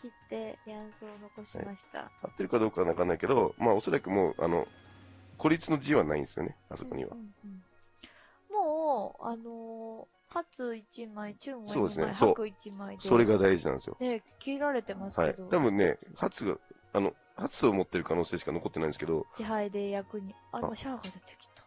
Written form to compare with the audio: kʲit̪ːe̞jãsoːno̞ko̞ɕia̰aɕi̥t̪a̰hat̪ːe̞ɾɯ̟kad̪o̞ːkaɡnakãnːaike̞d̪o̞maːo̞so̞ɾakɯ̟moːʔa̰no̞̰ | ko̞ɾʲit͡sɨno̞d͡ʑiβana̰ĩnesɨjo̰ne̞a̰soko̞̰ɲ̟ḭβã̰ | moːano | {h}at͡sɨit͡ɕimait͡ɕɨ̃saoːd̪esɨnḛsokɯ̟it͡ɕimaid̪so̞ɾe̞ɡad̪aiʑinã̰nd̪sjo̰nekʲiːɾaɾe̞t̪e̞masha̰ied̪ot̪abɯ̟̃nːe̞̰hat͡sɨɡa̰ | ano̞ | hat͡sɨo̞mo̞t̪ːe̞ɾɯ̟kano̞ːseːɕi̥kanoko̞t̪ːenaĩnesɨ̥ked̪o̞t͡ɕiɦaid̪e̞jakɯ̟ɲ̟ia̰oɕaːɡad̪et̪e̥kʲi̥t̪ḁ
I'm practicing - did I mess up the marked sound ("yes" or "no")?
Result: no